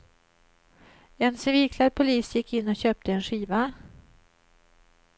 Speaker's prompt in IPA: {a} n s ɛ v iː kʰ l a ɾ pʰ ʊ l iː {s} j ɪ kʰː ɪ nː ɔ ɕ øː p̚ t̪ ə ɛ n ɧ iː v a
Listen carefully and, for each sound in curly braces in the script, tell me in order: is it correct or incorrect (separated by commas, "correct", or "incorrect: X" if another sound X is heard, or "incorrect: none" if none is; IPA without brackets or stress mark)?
incorrect: ɛ, correct